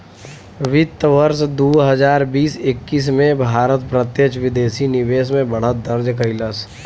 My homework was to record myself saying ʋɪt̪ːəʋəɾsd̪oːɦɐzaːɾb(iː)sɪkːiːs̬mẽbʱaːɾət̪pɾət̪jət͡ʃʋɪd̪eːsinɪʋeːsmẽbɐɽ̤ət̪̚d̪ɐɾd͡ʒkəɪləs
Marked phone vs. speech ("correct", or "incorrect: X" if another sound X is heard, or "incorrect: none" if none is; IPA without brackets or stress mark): correct